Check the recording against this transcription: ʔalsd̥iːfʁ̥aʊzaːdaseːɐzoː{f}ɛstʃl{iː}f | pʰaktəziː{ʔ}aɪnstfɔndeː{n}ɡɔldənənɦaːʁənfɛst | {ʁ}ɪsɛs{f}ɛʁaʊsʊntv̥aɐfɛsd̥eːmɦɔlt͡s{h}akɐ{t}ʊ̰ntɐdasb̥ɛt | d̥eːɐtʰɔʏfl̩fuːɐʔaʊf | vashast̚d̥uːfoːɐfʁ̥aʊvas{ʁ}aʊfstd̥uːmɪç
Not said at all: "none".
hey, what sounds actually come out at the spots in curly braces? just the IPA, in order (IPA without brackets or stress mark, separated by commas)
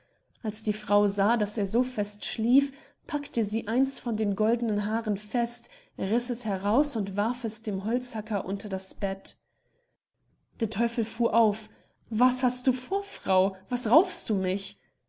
f, iː, ʔ, n, ʁ, h, h, ʔ, ʁ